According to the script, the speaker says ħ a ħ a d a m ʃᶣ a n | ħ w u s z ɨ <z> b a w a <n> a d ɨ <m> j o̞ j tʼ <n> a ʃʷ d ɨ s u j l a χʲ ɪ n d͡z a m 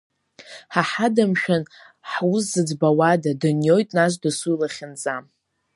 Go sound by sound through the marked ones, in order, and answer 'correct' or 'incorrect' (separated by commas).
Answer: incorrect, incorrect, incorrect, correct